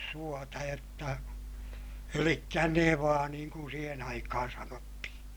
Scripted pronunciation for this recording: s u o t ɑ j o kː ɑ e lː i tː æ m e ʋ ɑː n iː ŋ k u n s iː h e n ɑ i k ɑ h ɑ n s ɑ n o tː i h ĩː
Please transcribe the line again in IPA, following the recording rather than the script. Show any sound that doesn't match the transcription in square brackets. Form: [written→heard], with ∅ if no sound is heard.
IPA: s u o t ɑ j o [kː→tː] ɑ e [lː→l] i [tː→kː] æ [m→n] e ʋ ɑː n iː ŋ k u n s iː h e n ɑ i k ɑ h ɑ n s ɑ n o tː i h ĩː